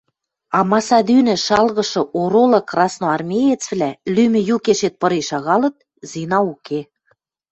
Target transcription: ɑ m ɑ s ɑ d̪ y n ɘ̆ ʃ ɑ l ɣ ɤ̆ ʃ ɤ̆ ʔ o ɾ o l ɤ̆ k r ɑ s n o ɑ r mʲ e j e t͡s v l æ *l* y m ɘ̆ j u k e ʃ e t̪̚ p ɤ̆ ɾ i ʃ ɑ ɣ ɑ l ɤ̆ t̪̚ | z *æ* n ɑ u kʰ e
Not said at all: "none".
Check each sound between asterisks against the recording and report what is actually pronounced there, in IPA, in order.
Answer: l, i

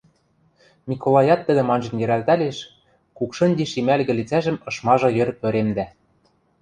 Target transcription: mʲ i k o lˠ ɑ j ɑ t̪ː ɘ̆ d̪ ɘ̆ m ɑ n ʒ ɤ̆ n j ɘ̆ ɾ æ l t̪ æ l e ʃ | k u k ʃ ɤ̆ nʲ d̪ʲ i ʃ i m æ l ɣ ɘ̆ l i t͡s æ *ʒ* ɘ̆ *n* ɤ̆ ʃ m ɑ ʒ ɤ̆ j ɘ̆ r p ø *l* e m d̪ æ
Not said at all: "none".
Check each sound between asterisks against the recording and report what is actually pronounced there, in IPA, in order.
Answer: ʒ, m, ɾ

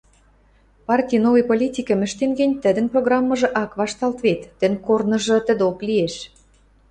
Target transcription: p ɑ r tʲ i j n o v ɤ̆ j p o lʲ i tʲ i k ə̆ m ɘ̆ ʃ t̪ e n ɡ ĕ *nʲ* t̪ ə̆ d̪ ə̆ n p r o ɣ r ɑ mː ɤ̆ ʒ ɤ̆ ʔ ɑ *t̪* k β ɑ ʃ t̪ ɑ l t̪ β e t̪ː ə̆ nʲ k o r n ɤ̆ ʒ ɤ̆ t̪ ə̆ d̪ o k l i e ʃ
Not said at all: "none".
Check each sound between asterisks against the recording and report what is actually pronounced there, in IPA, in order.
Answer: nʲ, none

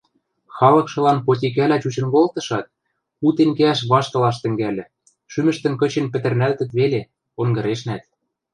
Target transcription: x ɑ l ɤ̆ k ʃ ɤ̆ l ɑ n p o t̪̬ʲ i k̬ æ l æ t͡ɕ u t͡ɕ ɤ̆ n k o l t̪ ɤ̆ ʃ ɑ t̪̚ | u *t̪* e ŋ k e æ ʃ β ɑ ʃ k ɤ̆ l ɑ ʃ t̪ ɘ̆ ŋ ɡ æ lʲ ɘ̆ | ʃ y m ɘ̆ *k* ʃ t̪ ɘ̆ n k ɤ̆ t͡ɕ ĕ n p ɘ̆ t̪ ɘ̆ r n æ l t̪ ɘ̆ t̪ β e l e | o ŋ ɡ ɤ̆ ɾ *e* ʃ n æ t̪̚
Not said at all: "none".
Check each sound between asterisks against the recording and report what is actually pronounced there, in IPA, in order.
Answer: t̪, none, e

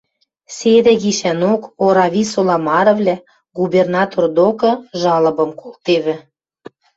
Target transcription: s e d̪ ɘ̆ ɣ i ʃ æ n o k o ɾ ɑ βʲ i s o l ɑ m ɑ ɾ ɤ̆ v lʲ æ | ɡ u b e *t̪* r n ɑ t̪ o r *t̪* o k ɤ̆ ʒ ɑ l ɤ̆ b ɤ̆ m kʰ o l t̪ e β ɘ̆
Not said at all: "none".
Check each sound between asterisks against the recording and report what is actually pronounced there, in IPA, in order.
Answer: none, d̪

